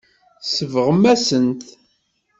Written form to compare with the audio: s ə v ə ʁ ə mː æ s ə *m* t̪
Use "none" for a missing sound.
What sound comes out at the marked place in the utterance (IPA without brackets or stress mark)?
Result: n